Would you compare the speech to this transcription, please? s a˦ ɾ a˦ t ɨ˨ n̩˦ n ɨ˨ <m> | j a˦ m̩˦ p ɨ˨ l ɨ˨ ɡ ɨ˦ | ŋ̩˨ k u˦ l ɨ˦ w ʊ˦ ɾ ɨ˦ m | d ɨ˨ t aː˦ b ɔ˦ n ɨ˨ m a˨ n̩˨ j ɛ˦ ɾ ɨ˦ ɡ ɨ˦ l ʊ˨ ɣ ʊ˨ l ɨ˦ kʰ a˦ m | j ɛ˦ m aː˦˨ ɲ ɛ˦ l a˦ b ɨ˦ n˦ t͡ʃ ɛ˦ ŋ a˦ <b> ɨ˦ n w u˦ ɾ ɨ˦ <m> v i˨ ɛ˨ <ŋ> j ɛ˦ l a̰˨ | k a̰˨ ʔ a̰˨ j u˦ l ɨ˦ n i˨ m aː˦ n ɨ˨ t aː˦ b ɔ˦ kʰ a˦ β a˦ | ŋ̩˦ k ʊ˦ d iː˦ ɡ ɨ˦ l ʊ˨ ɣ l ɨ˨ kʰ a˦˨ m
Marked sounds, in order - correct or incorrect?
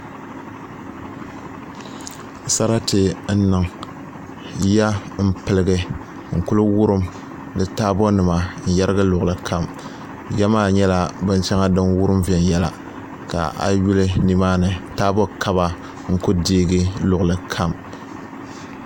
incorrect: ŋ, incorrect: d, correct, incorrect: n

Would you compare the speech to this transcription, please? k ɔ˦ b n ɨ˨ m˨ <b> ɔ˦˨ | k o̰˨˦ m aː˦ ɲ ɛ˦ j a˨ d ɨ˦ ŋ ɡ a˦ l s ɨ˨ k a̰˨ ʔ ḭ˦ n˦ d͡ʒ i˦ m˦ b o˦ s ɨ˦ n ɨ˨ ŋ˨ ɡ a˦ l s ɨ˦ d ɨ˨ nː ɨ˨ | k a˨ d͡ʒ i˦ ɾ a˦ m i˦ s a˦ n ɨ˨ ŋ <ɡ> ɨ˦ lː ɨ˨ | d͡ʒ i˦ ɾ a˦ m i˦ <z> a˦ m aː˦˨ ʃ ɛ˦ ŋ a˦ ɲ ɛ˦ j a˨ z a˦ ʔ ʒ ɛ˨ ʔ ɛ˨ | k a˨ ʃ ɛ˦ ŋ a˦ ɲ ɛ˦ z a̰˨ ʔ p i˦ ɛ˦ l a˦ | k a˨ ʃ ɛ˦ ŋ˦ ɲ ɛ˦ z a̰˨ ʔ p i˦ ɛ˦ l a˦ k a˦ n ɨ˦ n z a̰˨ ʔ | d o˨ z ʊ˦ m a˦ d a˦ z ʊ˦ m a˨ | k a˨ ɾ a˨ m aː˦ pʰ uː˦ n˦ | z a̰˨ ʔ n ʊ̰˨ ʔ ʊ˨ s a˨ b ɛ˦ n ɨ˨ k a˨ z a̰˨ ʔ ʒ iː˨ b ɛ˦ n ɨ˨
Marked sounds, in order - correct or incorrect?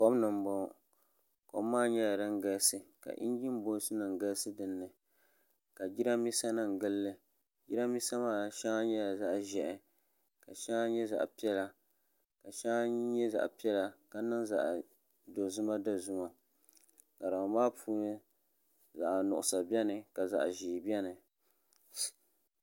correct, correct, incorrect: s

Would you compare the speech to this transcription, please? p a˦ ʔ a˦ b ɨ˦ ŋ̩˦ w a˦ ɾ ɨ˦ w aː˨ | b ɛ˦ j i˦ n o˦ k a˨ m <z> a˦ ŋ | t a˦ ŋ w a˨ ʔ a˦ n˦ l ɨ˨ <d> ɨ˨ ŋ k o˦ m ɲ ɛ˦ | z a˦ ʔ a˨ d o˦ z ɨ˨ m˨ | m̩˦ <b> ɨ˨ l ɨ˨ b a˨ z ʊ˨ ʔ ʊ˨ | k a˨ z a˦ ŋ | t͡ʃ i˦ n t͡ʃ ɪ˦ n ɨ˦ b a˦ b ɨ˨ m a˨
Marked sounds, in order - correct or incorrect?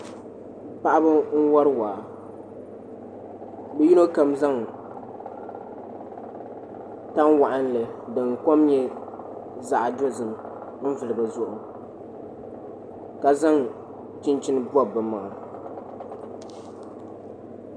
correct, correct, incorrect: v

